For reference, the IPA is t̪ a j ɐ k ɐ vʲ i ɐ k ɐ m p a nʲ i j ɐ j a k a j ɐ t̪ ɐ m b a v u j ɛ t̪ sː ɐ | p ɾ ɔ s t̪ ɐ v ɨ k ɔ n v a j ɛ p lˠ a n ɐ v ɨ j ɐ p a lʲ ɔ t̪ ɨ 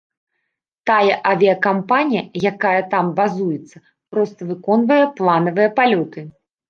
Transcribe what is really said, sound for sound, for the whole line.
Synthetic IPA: t̪ a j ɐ ʔ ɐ vʲ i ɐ k a m p a nʲ i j ɐ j a k a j ɐ t̪ a m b a z u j ɛ t̪ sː ɐ | p ɾ ɔ s t̪ ɐ v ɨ k ɔ n v ɐ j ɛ p lˠ a n ɐ v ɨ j ɐ p a lʲ ɔ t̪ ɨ